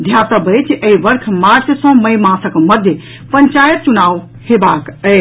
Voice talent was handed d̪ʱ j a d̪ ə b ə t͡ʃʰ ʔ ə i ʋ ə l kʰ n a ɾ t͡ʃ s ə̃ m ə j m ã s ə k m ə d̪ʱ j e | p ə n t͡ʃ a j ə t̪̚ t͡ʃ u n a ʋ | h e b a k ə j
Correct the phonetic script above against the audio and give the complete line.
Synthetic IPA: d̪ʱ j a t̪ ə b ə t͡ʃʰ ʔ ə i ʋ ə ɾ kʰ m a ɾ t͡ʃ s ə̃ m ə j m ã s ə k m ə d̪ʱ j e | p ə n t͡ʃ a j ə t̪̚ t͡ʃ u n a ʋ | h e b a k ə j